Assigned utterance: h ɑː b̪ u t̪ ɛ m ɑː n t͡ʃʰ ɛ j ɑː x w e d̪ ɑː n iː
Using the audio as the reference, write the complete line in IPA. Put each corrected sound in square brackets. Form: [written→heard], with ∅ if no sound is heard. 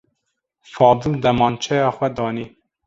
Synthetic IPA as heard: [h→f] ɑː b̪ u [t̪→d̪] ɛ m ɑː n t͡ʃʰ ɛ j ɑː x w [e→ɛ] d̪ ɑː n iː